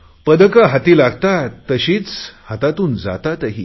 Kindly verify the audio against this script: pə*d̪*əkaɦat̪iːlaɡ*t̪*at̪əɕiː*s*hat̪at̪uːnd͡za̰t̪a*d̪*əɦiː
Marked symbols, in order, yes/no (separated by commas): yes, yes, no, no